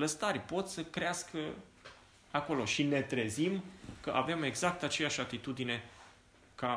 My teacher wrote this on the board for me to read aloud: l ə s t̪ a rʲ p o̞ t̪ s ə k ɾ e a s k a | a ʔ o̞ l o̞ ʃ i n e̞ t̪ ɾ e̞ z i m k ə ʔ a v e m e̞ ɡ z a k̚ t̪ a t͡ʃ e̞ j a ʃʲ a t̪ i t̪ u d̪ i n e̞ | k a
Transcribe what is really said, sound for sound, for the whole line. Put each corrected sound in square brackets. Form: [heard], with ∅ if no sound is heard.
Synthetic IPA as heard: l ə s t̪ a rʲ p o̞ t̪ s ə k ɾ e a s k [ə] | a [k] o̞ l o̞ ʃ i n e̞ t̪ ɾ e̞ z i m k ə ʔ a v e m e̞ ɡ z a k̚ t̪ a t͡ʃ e̞ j a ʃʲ a t̪ i t̪ u d̪ i n e̞ | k a